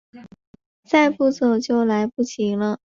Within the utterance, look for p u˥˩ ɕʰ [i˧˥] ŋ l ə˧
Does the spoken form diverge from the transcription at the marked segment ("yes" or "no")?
no